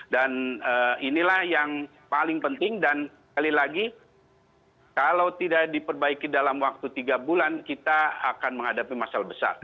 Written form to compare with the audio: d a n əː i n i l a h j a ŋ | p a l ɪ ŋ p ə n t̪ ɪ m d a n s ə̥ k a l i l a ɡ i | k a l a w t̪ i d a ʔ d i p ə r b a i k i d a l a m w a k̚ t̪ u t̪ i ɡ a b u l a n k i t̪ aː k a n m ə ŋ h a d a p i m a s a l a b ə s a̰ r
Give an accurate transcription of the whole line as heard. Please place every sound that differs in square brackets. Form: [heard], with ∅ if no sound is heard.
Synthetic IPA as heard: d a n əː i n i l a h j a ŋ | p a l ɪ ŋ p ə n t̪ ɪ [ŋ] d a n s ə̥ k a l i l a ɡ i | k a l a w t̪ i d a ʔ d i p ə r b a i k i d a l a m w a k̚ t̪ u t̪ i ɡ a b u l a n k i t̪ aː k a n m ə ŋ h a d a p i m a s a l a b ə s a̰ r